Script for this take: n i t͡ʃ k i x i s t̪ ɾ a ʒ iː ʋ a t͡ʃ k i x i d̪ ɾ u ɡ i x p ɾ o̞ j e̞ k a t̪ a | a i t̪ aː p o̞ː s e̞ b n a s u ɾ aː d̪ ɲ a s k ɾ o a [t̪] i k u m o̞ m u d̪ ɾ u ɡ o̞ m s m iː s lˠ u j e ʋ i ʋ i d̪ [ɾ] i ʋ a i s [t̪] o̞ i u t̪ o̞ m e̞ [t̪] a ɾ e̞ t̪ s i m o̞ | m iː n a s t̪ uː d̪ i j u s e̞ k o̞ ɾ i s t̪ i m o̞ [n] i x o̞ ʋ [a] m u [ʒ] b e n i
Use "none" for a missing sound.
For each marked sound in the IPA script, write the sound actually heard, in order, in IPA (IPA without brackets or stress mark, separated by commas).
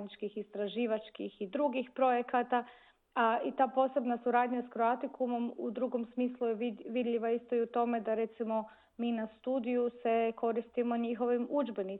t̪, ʎ, t̪, d̪, ɲ, i, d͡ʒ